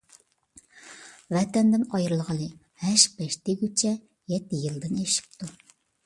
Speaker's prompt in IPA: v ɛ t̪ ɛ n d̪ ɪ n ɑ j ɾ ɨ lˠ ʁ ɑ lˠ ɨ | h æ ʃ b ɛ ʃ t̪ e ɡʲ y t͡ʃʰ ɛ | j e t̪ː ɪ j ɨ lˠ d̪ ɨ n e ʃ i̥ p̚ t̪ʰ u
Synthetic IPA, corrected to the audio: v ɛ t̪ ɛ n d̪ ɪ n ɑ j ɾ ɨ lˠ ʁ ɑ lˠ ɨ | h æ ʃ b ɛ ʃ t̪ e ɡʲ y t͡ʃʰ ɛ | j ɛ t̪ː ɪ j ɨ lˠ d̪ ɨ n e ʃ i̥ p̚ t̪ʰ u